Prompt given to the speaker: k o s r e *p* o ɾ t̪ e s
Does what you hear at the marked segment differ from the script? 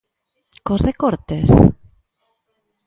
yes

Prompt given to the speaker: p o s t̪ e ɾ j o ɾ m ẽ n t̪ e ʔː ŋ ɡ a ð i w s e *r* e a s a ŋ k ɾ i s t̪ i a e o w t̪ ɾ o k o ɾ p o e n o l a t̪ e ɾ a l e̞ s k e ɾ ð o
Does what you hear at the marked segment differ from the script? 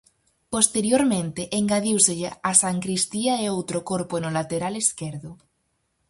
yes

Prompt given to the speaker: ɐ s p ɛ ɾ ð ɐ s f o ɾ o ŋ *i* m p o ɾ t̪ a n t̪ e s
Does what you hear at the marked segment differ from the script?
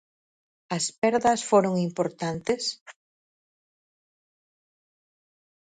no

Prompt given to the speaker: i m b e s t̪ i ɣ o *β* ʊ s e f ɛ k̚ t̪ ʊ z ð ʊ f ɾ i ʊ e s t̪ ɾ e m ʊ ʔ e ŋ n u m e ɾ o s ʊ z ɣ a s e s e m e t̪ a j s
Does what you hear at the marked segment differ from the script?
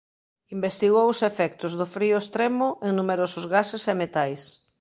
yes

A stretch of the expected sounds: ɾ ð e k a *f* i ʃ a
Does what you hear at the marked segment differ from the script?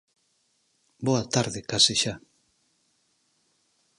yes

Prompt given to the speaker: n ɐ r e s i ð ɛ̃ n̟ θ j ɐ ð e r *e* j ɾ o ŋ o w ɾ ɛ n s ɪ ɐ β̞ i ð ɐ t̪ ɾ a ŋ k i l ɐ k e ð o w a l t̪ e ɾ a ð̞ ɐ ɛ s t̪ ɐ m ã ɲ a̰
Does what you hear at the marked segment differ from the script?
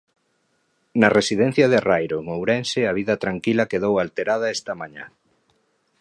yes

